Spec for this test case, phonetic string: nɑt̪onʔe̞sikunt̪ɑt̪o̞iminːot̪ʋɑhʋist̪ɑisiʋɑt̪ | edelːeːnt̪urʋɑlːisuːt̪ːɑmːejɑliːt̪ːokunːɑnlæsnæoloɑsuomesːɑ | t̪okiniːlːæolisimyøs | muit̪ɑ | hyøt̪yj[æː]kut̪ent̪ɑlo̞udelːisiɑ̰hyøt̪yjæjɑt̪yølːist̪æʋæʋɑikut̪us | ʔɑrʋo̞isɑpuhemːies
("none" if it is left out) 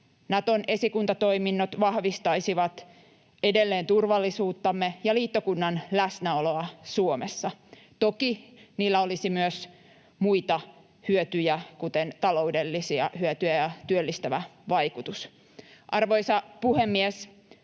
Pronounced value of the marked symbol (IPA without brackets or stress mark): æ